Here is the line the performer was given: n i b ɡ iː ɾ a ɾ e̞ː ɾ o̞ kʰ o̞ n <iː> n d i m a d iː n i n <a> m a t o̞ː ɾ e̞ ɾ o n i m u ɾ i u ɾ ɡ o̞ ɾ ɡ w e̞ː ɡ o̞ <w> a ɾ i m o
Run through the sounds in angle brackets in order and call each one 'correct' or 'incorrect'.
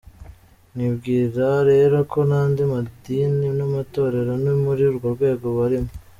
incorrect, correct, incorrect

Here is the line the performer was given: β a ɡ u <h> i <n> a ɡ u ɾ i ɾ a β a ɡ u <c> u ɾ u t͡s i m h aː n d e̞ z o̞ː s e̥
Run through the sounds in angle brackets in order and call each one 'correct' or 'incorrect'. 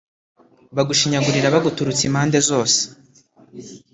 incorrect, incorrect, incorrect

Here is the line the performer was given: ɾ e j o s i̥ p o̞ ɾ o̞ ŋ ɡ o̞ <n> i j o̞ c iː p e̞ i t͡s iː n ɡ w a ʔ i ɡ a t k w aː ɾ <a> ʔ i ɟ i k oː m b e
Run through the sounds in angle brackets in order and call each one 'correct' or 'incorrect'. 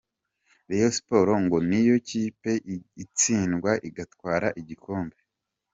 correct, correct

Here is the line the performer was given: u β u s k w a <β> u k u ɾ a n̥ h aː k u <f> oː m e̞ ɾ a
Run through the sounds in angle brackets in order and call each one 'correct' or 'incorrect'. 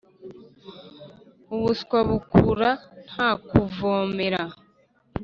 correct, incorrect

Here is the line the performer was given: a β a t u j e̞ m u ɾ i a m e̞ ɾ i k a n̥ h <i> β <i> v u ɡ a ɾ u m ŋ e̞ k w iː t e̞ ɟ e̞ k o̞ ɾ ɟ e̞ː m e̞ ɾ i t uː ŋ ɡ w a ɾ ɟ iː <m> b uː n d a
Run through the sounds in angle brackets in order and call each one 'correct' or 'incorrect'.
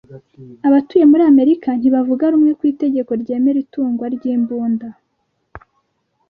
correct, incorrect, correct

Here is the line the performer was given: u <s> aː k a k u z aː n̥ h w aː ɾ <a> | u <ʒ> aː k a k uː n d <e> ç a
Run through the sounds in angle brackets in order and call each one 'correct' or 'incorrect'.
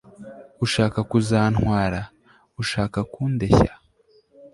incorrect, correct, incorrect, correct

